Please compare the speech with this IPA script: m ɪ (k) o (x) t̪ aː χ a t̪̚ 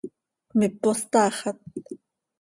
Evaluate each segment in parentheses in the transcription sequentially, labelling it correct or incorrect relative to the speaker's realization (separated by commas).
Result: incorrect, incorrect